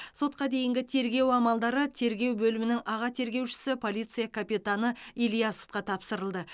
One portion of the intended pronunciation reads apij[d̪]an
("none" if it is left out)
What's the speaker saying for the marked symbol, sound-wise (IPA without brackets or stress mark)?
t̪